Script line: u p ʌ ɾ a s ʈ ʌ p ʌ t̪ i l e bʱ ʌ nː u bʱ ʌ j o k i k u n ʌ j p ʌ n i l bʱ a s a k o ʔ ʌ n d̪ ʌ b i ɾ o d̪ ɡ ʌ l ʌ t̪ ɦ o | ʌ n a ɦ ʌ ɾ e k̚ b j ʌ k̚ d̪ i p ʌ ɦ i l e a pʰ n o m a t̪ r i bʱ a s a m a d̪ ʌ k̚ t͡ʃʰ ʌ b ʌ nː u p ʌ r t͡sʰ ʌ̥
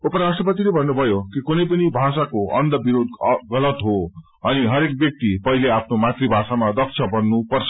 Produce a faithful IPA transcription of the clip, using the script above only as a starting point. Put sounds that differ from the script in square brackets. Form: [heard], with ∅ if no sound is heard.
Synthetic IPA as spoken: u p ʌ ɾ a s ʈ ʌ p ʌ t̪ i l e bʱ ʌ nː u bʱ ʌ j o k i k u n ʌ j p ʌ n i [∅] bʱ a s a k o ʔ ʌ n d̪ ʌ b i ɾ o d̪ ɡ ʌ l ʌ t̪ ɦ o | ʌ n [i] ɦ ʌ ɾ e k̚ b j ʌ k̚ [t̪] i p ʌ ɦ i l e a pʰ n o m a t̪ r i bʱ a s a m a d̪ ʌ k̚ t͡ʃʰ ʌ b ʌ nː u p ʌ r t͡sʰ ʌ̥